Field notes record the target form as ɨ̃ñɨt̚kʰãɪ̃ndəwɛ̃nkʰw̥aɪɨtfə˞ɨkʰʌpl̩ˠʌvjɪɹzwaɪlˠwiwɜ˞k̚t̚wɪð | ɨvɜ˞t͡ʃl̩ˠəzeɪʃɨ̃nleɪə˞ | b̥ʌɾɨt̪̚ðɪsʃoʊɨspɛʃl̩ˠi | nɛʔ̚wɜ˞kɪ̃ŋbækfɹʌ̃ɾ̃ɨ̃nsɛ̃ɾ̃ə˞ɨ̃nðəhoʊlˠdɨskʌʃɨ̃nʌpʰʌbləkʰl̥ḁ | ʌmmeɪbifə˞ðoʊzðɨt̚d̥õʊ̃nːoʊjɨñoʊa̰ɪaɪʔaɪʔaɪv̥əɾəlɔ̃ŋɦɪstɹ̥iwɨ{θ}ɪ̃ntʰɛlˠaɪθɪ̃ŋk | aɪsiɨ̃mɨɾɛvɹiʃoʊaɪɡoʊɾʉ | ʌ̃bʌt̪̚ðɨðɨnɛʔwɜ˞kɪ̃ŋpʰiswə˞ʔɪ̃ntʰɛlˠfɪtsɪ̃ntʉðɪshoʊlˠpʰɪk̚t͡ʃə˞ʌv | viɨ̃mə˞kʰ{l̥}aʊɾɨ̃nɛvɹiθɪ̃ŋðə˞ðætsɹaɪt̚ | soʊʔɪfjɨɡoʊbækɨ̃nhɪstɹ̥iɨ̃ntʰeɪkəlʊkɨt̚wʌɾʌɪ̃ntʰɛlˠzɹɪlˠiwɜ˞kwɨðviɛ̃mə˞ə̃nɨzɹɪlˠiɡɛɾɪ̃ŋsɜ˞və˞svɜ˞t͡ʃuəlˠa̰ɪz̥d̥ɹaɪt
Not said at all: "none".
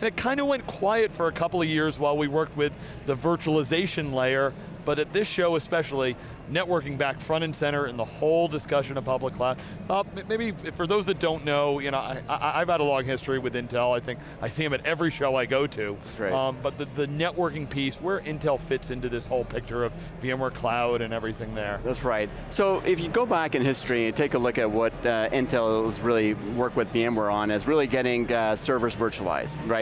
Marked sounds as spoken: ð, l̥

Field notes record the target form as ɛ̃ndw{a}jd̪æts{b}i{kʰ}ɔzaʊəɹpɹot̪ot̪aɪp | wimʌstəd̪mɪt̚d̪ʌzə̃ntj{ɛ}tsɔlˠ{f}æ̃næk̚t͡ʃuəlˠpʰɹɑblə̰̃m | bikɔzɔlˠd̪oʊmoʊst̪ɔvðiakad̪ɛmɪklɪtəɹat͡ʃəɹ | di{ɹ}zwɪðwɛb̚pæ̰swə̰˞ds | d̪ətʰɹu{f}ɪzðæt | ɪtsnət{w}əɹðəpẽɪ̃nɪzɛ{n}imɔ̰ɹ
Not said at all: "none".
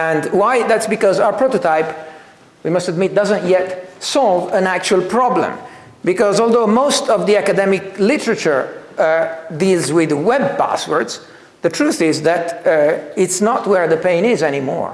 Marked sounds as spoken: a, b, k, ɛ, v, l, θ, w, n

